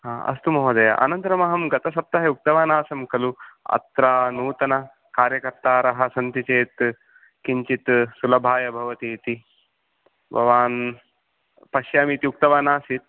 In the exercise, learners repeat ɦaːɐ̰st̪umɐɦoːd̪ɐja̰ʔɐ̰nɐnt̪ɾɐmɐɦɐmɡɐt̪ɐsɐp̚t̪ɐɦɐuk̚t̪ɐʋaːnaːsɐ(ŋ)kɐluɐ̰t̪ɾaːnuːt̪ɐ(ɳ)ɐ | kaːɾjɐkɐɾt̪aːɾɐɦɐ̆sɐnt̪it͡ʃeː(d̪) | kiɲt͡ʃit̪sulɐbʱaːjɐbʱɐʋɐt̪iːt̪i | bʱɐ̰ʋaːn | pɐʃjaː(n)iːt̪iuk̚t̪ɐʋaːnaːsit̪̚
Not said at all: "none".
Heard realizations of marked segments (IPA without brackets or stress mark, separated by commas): m, n, t̪, m